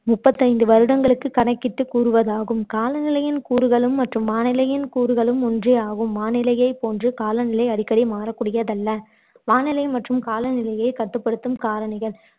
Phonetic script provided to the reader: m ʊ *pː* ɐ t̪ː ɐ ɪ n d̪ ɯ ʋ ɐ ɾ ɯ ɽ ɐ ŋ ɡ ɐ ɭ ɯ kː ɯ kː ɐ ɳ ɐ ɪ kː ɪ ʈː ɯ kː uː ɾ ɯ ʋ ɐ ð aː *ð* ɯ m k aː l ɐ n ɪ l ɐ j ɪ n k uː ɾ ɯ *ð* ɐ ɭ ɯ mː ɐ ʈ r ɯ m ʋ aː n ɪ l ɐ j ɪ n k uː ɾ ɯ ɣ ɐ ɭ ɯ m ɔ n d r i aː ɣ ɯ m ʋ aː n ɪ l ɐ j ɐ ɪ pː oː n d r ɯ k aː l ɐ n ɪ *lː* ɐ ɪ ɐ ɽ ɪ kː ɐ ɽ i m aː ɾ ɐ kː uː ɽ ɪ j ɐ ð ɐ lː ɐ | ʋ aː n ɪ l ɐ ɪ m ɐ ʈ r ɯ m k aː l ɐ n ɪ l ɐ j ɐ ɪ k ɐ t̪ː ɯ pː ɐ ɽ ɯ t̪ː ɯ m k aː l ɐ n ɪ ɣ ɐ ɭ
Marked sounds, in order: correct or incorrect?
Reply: correct, incorrect, incorrect, incorrect

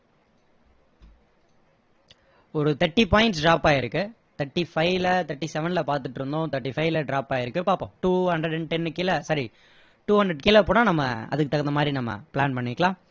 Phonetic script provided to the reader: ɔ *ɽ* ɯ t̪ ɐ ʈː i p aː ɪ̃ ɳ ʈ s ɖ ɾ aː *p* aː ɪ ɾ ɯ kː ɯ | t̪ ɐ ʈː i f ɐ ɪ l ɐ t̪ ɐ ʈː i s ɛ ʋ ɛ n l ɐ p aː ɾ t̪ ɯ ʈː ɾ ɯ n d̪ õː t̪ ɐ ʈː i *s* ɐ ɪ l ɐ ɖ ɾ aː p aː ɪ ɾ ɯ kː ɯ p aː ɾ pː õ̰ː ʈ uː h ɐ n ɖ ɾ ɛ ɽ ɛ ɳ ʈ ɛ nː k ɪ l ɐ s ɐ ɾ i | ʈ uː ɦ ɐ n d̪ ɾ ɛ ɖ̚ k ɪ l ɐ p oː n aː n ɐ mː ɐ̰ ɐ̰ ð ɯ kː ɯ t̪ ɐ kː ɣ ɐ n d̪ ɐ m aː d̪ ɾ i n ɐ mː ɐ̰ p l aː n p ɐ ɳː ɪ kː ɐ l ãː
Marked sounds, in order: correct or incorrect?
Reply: incorrect, correct, incorrect

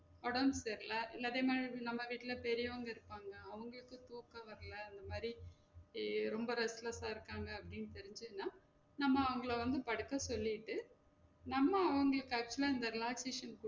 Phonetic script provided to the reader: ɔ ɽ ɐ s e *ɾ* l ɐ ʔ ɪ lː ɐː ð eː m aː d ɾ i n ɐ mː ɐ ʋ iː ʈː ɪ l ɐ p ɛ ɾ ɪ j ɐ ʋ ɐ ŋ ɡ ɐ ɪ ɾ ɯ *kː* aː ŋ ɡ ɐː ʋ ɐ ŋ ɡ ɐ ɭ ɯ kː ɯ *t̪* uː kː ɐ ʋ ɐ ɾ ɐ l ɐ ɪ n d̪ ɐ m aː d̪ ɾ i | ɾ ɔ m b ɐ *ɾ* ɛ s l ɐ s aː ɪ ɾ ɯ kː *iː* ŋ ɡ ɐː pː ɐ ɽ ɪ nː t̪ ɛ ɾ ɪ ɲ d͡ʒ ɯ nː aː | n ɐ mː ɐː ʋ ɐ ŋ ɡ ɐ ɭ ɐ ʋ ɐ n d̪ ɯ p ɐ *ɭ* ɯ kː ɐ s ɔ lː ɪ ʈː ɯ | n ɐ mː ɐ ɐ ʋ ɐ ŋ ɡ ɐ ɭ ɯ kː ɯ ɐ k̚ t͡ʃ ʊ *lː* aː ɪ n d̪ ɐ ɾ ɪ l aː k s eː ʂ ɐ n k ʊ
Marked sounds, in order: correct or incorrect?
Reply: correct, incorrect, correct, correct, incorrect, incorrect, incorrect

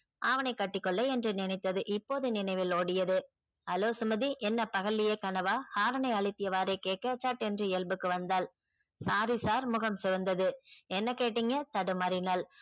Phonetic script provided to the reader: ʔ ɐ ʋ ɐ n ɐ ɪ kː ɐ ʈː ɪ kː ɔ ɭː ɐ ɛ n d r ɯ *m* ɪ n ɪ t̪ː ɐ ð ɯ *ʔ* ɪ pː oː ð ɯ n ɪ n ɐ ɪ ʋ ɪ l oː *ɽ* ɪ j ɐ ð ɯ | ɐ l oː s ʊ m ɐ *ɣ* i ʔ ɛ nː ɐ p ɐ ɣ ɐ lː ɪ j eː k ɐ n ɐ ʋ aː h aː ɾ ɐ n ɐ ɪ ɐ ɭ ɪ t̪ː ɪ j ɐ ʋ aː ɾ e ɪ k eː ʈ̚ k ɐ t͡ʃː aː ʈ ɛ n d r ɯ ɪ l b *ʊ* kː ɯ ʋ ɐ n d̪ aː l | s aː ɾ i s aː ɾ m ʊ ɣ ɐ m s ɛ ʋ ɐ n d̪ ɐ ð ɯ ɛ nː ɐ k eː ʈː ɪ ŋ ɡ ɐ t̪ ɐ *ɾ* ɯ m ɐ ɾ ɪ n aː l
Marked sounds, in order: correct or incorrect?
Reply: incorrect, correct, correct, incorrect, incorrect, incorrect

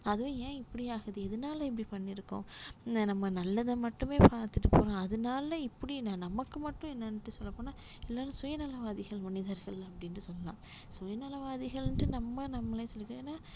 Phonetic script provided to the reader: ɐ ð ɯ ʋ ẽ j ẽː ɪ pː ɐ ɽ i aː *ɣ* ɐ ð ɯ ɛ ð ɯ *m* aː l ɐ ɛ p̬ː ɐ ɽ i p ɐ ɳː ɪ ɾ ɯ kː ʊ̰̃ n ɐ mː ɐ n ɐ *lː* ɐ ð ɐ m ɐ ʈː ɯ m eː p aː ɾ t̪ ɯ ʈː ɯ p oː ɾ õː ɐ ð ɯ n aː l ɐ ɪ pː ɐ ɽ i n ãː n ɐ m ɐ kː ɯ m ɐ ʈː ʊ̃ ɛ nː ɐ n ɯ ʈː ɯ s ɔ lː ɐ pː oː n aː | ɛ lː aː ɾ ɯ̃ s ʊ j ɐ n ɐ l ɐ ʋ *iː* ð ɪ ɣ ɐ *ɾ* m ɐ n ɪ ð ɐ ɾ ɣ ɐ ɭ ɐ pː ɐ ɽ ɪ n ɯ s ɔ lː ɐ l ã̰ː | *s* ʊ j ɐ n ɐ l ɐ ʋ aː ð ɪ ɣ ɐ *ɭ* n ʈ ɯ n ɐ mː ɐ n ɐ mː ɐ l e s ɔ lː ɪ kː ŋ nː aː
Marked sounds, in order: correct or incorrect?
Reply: correct, incorrect, correct, incorrect, incorrect, correct, correct

